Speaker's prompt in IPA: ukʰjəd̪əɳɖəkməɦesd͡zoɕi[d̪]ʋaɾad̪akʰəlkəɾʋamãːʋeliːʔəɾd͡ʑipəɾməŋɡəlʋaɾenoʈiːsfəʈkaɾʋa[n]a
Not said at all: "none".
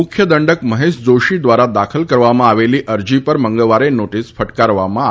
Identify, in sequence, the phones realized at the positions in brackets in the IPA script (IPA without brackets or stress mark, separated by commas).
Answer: d̪, m